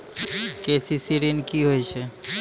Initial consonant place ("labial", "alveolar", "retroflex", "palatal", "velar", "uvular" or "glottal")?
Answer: velar